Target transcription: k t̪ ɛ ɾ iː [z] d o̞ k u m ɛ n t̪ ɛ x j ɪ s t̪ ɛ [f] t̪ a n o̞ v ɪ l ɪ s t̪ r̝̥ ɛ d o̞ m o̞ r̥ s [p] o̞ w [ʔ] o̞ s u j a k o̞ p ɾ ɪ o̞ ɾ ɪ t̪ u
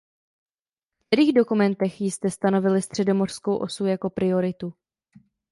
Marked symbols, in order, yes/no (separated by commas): no, no, no, yes